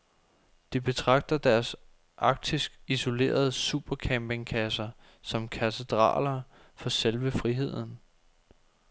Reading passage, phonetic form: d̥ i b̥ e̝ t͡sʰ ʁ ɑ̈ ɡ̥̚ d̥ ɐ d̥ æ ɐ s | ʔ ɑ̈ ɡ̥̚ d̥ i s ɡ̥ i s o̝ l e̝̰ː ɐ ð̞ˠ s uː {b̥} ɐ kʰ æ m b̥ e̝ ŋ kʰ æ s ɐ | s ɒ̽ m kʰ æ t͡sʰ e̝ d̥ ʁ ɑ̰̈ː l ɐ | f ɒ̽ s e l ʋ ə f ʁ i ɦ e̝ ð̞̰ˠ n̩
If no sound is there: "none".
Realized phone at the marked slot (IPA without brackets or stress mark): b̥